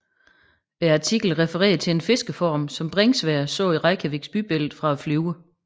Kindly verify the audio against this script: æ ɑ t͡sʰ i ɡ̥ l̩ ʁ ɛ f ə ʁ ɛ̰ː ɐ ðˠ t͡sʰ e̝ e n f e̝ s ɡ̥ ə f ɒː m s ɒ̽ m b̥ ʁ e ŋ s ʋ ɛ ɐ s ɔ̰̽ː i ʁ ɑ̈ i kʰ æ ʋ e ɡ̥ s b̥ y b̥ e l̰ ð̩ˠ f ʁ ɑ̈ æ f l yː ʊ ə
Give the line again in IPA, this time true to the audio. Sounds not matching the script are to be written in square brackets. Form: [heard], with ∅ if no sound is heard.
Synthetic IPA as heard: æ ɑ t͡sʰ i ɡ̥ l̩ ʁ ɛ f ə ʁ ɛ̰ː ɐ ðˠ t͡sʰ e̝ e n f e̝ s ɡ̥ ə f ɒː m s ɒ̽ m b̥ ʁ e ŋ s ʋ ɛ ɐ s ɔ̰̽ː i ʁ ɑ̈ [ɪ] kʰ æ ʋ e ɡ̥ s b̥ y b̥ e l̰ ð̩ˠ f ʁ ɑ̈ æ f l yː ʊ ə

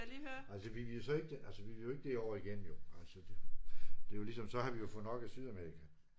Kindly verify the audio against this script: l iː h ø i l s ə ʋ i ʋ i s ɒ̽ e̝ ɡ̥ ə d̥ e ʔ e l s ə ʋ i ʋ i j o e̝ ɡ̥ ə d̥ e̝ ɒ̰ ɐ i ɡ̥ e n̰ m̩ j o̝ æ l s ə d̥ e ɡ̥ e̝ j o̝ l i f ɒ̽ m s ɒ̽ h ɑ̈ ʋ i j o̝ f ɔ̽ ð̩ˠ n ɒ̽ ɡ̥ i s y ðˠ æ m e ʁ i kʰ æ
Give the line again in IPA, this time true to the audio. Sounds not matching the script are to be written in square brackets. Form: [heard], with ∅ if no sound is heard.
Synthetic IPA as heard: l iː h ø [æ] l s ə ʋ i ʋ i s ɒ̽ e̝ ɡ̥ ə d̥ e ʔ [æ] l s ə ʋ i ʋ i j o e̝ ɡ̥ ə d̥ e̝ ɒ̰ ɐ i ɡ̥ e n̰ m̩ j o̝ æ l s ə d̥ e [d̥] e̝ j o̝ l i [s] ɒ̽ m s ɒ̽ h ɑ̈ ʋ i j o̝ f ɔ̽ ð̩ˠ n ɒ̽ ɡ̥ [æ] s y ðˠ æ m e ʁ i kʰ æ

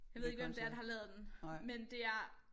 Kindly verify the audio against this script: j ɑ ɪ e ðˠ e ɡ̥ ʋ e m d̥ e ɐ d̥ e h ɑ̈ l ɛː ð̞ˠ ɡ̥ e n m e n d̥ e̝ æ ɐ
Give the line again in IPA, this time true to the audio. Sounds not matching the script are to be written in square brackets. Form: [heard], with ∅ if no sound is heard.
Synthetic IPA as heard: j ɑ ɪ e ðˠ e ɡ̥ ʋ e m d̥ e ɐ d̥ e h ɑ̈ l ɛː ð̞ˠ [d̥] e n m e n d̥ e̝ æ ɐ

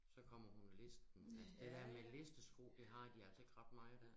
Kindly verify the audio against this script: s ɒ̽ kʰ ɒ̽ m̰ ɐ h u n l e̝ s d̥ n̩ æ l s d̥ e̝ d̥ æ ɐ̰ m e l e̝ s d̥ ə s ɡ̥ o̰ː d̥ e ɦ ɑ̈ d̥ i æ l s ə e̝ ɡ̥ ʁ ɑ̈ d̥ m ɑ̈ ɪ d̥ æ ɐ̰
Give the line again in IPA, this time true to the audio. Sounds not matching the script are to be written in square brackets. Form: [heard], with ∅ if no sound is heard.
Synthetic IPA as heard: s ɒ̽ kʰ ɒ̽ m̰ ɐ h u n l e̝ s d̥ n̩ æ l s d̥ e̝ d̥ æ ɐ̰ m e l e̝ s d̥ ə s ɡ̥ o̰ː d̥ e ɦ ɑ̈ d̥ i æ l s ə e̝ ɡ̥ ʁ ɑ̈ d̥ m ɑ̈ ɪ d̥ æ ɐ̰

